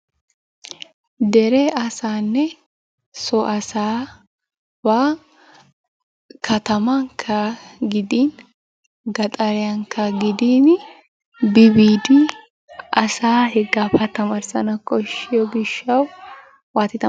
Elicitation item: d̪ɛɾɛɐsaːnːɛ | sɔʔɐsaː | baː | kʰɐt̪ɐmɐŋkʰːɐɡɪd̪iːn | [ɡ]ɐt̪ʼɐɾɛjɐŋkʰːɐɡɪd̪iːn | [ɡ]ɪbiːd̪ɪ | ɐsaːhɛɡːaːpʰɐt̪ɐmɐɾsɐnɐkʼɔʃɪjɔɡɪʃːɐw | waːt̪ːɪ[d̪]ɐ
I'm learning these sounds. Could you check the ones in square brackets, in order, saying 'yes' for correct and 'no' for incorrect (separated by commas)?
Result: yes, no, no